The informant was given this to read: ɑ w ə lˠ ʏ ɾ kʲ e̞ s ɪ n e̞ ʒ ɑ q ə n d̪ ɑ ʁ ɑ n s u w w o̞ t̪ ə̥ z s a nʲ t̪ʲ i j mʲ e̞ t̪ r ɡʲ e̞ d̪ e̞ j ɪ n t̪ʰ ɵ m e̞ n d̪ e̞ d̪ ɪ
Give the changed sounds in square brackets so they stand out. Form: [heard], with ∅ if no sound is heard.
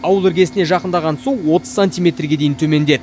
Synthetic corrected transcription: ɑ w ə lˠ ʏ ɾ [ɡʲ] e̞ s ɪ n e̞ ʒ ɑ q ə n d̪ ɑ ʁ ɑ n s u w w o̞ t̪ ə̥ z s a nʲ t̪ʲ i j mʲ e̞ t̪ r ɡʲ e̞ d̪ e̞ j ɪ n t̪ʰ ɵ m e̞ n d̪ e̞ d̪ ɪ